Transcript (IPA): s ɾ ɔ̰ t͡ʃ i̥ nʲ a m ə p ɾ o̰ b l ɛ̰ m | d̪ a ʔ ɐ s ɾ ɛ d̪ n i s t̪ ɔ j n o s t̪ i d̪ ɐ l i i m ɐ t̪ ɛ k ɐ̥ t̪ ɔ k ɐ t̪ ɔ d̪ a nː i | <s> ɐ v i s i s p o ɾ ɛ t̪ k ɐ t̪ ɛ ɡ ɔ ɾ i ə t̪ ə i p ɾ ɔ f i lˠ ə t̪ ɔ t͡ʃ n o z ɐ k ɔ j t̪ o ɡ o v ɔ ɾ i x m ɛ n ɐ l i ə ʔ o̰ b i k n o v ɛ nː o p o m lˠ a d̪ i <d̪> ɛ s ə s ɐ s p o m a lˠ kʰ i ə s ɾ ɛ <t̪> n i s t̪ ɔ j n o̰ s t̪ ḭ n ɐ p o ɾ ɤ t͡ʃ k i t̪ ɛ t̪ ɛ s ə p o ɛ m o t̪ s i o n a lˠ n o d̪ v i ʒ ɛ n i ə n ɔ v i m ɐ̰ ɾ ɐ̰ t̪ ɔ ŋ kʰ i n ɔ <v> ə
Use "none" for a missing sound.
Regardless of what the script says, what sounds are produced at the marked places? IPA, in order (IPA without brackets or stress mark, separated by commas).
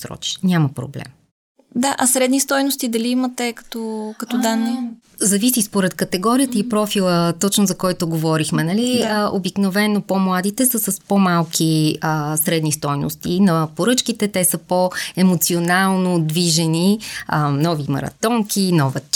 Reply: z, t̪, d̪, v